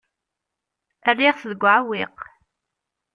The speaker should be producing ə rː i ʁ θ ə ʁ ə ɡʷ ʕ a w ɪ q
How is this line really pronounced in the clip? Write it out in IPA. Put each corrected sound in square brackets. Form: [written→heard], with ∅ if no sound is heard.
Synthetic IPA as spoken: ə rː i ʁ θ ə [ʁ→ð] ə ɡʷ ʕ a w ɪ q